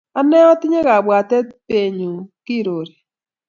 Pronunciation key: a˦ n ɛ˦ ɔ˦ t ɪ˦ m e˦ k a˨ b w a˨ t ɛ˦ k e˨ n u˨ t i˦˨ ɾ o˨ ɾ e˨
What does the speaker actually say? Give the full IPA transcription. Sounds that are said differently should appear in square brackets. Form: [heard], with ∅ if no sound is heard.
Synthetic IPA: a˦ n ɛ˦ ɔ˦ t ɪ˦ [ɲ] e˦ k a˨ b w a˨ t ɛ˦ [p] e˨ [ɲ] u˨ [k] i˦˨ ɾ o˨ ɾ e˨